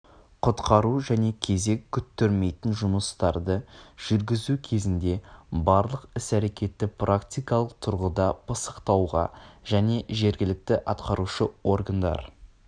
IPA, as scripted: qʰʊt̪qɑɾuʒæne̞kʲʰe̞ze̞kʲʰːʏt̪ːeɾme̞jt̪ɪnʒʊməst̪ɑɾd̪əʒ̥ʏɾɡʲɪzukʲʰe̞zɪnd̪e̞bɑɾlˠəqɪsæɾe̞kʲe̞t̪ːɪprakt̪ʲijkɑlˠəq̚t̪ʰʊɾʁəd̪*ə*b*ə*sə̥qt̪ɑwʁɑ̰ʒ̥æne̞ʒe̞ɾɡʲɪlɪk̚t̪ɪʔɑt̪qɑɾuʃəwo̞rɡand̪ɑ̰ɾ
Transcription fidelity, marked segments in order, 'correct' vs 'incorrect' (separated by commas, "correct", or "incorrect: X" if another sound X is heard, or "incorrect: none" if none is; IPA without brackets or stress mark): incorrect: ɑ, correct